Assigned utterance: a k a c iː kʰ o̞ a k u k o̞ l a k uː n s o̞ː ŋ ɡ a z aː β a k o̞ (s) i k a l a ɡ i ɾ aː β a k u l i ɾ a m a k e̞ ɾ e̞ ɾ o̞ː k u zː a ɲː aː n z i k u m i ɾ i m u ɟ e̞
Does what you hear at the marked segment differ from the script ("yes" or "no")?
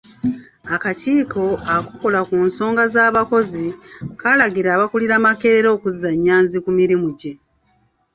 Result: yes